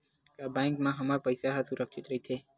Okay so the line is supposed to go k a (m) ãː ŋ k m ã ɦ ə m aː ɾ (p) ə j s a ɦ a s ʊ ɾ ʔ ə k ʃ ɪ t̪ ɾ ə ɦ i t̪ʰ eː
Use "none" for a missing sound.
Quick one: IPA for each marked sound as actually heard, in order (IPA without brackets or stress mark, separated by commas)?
b, p